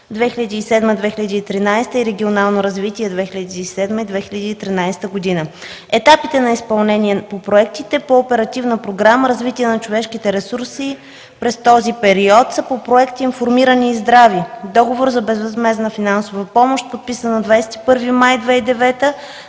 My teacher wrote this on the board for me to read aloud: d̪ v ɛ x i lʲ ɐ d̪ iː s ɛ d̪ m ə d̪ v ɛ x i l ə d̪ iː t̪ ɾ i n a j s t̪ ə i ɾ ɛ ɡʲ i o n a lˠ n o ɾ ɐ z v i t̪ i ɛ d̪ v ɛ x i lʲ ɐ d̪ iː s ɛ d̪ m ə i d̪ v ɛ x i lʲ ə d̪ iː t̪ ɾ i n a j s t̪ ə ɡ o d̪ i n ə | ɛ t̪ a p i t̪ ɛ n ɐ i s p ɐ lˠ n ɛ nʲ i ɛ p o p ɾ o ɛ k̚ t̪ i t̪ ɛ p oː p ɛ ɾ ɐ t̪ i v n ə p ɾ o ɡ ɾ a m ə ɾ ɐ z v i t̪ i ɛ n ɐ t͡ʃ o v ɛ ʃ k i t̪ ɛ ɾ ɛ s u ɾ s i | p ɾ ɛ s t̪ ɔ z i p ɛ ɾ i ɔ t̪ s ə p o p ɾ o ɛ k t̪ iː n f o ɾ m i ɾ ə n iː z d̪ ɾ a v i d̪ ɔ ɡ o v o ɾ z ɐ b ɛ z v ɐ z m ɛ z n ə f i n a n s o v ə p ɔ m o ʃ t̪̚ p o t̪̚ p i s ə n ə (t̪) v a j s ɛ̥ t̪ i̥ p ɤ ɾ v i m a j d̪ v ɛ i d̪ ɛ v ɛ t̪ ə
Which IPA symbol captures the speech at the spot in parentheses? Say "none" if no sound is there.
d̪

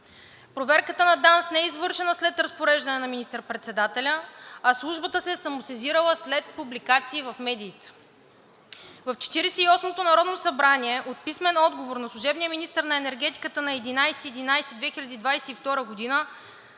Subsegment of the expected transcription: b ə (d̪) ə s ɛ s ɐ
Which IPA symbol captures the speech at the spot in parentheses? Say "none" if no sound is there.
t̪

